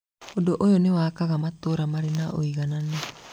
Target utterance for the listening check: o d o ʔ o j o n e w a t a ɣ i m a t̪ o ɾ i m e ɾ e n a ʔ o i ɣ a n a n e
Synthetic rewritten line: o d o ʔ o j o n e w a k a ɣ a m a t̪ o ɾ a m a ɾ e n a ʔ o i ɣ a n a n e